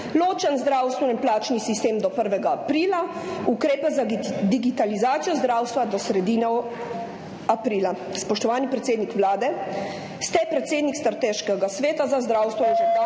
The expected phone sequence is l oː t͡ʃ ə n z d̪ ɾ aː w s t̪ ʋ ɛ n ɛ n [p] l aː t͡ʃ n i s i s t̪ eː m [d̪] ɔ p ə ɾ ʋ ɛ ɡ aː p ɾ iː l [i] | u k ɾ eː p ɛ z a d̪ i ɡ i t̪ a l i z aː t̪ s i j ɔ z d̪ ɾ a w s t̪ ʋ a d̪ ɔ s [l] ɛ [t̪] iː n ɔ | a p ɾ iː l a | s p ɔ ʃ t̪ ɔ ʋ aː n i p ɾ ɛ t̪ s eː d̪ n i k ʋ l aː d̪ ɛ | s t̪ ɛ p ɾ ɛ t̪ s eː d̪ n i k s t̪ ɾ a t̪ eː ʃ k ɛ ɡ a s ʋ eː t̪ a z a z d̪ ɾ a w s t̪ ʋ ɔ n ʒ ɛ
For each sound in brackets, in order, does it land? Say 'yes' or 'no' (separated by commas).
yes, yes, no, no, no